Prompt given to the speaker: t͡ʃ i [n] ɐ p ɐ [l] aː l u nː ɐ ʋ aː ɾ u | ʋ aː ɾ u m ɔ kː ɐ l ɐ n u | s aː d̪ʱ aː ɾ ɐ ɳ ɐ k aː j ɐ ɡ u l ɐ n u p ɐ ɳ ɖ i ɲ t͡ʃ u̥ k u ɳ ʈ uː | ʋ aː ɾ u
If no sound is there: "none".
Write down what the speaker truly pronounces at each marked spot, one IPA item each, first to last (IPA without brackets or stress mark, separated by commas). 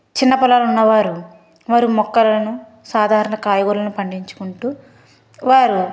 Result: nː, l